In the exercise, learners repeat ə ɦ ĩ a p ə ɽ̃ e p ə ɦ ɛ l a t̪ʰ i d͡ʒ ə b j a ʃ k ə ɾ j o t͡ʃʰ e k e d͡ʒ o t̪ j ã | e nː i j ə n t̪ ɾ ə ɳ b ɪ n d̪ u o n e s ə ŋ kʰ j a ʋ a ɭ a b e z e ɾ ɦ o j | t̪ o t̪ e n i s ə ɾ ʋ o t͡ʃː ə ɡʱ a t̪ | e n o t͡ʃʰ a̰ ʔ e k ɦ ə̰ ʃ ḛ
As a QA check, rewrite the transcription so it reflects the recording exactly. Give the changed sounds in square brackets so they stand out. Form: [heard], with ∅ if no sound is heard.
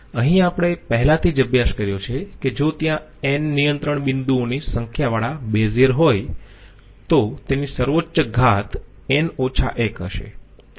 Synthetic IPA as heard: ə ɦ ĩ a p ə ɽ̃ e p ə ɦ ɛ l a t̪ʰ i d͡ʒ ə b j a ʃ k ə ɾ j o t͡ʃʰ e k e d͡ʒ o t̪ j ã | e nː i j ə n t̪ ɾ ə ɳ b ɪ n d̪ u o n [i] s ə ŋ kʰ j a ʋ a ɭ a b e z e ɾ ɦ o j | t̪ o t̪ e n i s ə ɾ ʋ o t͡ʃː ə ɡʱ a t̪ | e n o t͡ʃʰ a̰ ʔ e k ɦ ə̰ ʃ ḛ